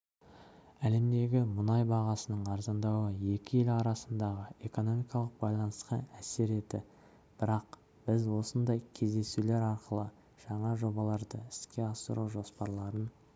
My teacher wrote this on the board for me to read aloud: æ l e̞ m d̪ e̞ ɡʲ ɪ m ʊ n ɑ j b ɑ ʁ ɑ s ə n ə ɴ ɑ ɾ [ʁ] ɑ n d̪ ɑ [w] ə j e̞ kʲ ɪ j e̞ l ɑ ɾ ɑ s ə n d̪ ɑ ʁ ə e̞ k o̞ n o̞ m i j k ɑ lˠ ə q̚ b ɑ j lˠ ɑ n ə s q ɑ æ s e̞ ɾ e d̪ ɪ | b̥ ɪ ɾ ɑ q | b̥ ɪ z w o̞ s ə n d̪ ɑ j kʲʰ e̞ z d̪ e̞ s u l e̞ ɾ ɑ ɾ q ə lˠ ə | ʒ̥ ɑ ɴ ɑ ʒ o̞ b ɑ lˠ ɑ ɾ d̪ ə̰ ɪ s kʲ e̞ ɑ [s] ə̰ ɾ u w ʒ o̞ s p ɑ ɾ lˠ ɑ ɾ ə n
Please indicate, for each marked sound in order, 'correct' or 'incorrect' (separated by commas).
incorrect, correct, correct